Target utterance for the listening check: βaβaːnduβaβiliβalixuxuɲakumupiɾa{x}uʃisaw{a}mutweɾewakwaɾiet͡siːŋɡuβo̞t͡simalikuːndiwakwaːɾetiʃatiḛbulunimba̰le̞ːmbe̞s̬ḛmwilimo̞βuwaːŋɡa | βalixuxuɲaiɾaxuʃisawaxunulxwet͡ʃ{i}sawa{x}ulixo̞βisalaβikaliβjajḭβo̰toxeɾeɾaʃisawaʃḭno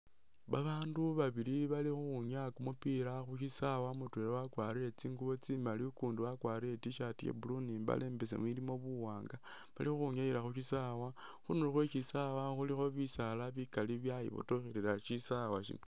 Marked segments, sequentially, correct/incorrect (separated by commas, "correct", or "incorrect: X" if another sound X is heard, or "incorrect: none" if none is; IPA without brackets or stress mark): correct, correct, correct, correct